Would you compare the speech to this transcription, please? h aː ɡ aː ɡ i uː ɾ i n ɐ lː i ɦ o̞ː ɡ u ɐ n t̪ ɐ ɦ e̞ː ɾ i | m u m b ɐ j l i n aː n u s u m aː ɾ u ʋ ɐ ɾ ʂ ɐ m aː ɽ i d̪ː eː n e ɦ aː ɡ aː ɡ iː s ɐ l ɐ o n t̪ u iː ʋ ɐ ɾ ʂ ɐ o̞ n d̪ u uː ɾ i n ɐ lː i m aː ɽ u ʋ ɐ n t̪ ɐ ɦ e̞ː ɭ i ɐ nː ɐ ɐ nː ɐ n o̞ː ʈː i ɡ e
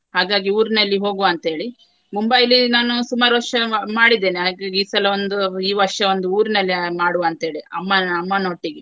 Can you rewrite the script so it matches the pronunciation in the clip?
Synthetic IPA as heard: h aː ɡ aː ɡ i uː ɾ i n ɐ lː i ɦ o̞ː ɡ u ɐ n t̪ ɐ ɦ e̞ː ɭ i | m u m b ɐ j l i n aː n u s u m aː ɾ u ʋ ɐ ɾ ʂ ɐ m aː ɽ i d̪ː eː n e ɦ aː ɡ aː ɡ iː s ɐ l ɐ o n d̪ u iː ʋ ɐ ɾ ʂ ɐ o̞ n d̪ u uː ɾ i n ɐ lː i m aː ɽ u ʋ ɐ n t̪ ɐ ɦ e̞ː ɭ i ɐ mː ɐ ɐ mː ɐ n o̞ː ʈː i ɡ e